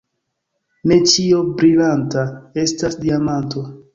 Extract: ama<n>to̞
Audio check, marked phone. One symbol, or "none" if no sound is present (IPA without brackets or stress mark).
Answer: n